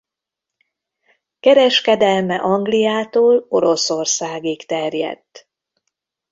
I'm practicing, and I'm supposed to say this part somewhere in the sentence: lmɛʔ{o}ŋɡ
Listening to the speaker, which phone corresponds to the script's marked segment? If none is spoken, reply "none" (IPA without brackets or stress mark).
ɒ